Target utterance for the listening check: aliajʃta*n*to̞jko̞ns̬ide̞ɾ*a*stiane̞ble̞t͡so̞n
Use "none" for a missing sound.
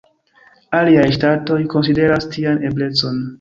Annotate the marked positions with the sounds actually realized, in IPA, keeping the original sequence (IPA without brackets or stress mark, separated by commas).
none, a